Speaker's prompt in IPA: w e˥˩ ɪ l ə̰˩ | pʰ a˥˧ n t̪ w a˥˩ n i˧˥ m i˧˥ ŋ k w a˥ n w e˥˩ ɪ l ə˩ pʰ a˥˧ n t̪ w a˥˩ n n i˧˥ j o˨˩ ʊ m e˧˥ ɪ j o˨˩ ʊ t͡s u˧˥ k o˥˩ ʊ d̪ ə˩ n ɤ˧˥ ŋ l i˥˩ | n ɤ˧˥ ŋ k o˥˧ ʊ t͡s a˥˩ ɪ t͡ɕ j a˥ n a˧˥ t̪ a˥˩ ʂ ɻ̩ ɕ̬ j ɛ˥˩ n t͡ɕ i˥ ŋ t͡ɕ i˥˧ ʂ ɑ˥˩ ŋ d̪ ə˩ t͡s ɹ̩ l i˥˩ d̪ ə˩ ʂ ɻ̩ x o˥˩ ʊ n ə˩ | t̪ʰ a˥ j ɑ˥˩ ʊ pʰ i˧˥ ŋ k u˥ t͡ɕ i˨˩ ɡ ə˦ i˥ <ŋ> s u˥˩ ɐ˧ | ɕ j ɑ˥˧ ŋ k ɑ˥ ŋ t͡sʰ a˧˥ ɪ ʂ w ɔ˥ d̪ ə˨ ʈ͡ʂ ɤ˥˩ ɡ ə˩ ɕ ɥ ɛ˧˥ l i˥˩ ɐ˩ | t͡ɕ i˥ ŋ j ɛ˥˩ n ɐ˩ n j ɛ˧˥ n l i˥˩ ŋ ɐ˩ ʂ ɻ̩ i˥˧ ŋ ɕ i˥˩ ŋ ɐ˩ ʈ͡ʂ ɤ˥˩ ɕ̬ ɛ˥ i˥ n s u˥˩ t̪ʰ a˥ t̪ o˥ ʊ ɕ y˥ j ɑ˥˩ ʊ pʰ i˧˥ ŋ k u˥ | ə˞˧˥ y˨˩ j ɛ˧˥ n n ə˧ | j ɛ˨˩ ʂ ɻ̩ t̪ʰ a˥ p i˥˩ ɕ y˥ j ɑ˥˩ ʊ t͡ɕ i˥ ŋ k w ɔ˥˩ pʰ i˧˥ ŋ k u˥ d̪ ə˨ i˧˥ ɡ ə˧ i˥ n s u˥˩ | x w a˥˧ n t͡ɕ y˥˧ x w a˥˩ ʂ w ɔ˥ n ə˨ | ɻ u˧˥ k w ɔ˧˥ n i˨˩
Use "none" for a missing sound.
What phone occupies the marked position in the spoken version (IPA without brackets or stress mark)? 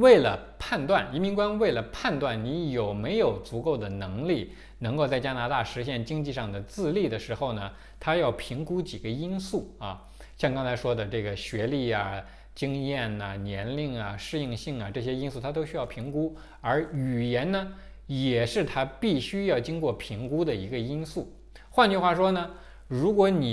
n